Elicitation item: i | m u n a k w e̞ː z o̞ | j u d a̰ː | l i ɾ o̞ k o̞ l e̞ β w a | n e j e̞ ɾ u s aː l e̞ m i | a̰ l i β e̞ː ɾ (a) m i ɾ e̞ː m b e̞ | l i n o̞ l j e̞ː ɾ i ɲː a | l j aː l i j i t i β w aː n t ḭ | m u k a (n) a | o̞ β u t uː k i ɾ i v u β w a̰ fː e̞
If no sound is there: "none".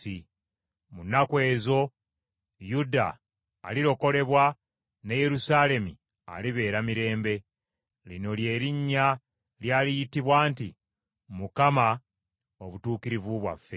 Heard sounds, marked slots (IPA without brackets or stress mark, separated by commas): a, m